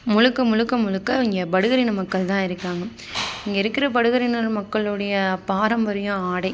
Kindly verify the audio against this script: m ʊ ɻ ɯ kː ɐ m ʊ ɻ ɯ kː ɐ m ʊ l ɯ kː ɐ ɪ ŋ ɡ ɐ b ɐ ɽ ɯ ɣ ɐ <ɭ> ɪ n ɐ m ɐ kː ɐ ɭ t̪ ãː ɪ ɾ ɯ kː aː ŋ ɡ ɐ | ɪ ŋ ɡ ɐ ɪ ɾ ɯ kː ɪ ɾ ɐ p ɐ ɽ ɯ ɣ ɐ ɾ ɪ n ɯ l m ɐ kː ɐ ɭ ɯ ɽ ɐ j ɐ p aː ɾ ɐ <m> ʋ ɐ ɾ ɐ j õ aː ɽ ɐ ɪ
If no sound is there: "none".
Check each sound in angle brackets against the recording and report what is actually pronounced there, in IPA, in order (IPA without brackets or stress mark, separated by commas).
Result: ɾ, m